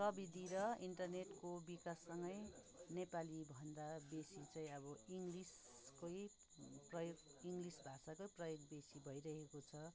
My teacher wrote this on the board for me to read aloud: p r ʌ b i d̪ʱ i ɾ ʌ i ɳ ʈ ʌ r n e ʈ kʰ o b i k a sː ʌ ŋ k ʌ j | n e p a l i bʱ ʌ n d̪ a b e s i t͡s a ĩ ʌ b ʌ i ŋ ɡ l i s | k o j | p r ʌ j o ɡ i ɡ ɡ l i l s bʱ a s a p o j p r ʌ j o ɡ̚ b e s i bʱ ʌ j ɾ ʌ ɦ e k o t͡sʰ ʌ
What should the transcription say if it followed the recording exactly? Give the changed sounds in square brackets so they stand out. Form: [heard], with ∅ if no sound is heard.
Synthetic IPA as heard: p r ʌ b i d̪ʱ i ɾ ʌ i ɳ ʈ ʌ r n e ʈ [k] o b i k a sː ʌ ŋ [ɡ] ʌ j | n e p a l i bʱ ʌ n d̪ a b e s i t͡s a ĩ ʌ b ʌ i ŋ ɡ l i s | k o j | p r ʌ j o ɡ i [ŋ] ɡ l i [∅] s bʱ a s a [k] o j p r ʌ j o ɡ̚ b e s i bʱ ʌ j ɾ ʌ ɦ e k o t͡sʰ ʌ